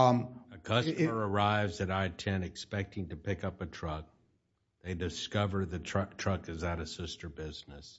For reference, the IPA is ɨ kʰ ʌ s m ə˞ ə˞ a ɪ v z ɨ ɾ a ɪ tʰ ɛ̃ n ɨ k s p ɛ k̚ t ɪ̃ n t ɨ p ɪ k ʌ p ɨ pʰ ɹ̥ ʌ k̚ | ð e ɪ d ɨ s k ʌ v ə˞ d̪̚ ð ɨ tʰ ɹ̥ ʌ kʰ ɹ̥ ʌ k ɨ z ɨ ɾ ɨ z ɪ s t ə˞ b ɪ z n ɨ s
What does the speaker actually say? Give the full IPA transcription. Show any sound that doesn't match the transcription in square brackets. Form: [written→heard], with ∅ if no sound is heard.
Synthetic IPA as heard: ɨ kʰ ʌ s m ə˞ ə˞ a ɪ v z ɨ ɾ a ɪ tʰ ɛ̃ n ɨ k s p ɛ k̚ t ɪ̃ [n→ŋ] t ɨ p ɪ k ʌ p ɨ [pʰ→tʰ] ɹ̥ ʌ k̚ | ð e ɪ d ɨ s k ʌ v ə˞ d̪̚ ð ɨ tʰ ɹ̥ ʌ [kʰ→tʰ] ɹ̥ ʌ k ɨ z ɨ ɾ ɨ [z→s] ɪ s t ə˞ b ɪ z n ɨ s